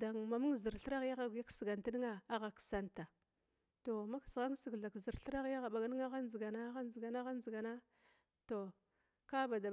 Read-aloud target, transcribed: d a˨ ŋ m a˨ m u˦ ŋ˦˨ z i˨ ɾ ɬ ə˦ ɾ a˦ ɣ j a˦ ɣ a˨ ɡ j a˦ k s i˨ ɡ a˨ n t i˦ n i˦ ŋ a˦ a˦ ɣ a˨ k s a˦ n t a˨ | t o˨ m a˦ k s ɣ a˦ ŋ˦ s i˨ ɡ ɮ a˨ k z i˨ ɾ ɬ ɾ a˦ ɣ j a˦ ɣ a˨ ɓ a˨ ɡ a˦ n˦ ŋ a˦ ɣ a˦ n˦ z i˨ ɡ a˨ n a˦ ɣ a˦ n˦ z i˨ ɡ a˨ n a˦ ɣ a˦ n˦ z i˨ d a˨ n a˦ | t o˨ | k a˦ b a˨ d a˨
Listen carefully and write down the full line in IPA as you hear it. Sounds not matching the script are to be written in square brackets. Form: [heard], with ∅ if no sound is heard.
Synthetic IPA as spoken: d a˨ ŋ m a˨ m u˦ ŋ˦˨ z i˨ ɾ ɬ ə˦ ɾ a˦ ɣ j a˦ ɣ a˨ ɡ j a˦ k s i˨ ɡ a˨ n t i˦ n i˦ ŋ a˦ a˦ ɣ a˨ k s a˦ n t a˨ | t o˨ m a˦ k s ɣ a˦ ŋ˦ s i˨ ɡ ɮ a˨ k z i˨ ɾ ɬ ɾ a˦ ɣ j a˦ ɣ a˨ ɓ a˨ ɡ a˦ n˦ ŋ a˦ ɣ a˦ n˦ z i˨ ɡ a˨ n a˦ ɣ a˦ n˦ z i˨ ɡ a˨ n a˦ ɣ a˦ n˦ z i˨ [ɡ] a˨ n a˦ | t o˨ | k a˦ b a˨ d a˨

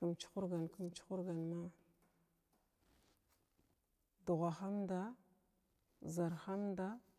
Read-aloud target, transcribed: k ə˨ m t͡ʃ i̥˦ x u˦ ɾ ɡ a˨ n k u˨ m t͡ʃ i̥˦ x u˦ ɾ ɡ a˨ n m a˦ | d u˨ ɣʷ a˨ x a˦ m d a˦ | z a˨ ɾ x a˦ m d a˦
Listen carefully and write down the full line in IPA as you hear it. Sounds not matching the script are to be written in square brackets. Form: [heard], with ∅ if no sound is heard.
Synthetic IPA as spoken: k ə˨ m t͡ʃ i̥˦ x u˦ ɾ ɡ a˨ n k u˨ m t͡ʃ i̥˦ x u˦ ɾ ɡ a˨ n m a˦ | d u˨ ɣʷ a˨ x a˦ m d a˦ | z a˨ ɾ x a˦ m d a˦

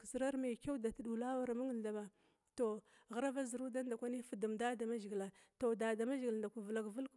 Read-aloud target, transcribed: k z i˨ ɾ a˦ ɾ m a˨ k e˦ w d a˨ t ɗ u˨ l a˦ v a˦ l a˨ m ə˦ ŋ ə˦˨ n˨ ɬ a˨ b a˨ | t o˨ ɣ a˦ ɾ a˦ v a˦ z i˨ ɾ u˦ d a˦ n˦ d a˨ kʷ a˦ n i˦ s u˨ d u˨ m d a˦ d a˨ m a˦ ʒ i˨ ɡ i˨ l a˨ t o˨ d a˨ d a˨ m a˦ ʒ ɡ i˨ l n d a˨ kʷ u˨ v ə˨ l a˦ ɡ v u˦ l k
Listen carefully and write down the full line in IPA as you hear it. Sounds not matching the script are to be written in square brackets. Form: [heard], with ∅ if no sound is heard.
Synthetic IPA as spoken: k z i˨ ɾ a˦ ɾ m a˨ k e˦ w d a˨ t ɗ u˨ l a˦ [w] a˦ [ɾ] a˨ m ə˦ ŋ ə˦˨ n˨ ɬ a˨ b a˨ | t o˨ ɣ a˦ ɾ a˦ v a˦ z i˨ ɾ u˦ d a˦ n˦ d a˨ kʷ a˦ n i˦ [f] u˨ d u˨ m d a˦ d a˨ m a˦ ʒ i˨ ɡ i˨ l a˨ t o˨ d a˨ d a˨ m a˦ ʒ ɡ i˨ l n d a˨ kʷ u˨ v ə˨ l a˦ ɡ v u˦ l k

